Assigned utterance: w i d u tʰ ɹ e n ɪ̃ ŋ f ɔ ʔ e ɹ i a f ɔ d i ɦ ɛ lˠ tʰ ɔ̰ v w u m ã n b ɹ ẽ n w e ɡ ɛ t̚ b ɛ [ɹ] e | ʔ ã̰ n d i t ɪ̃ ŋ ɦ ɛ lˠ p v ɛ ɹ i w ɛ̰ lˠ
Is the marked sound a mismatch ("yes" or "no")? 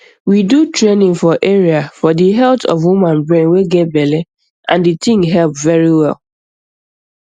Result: yes